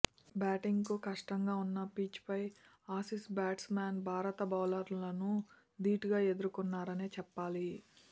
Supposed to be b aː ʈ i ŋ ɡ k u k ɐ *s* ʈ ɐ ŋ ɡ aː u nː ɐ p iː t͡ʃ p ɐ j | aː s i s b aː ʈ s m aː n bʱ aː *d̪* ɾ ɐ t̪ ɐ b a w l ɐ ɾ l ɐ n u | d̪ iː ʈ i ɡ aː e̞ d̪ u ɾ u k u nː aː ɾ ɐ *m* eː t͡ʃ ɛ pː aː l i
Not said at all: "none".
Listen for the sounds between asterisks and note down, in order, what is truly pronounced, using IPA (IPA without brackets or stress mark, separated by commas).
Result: ʂ, none, n